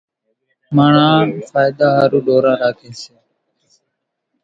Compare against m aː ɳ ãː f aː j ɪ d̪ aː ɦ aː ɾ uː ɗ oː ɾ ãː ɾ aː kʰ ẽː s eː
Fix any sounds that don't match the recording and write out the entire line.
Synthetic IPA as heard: m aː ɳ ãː f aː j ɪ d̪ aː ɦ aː ɾ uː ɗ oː ɾ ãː ɾ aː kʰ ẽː s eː